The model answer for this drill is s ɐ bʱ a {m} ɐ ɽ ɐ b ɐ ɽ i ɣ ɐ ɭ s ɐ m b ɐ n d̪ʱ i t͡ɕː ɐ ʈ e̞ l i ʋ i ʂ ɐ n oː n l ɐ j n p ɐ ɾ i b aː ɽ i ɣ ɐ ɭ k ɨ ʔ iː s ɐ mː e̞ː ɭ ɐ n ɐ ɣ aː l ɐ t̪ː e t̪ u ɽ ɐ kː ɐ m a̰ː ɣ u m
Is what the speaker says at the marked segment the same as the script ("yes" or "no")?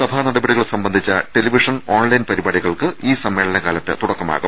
no